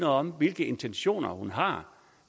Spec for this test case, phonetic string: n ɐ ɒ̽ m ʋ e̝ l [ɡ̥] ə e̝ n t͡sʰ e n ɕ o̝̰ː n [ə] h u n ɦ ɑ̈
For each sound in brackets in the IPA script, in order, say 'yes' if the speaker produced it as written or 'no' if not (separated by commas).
yes, no